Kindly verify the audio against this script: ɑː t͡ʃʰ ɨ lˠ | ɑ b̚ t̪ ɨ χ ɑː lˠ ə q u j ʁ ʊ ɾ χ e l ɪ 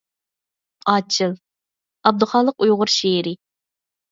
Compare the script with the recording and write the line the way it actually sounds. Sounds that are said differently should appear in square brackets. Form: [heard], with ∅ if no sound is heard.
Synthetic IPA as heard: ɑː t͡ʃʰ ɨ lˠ | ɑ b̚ [d̪] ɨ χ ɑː lˠ ə q u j ʁ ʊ ɾ [ʃ] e [ɾ] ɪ